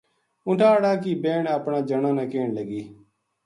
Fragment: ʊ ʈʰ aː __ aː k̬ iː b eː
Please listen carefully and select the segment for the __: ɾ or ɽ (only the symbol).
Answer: ɽ